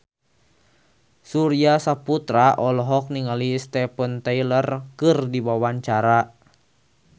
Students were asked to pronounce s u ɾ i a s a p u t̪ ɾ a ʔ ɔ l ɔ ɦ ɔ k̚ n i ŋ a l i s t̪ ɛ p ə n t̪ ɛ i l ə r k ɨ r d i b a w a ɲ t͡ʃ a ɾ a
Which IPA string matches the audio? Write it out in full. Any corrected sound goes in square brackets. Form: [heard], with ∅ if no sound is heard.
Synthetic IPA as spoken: s u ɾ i a s a p u t̪ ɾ a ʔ ɔ l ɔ ɦ ɔ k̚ n i ŋ a l i s t̪ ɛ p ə n t̪ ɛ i l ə r k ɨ r d i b a w a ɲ t͡ʃ a ɾ a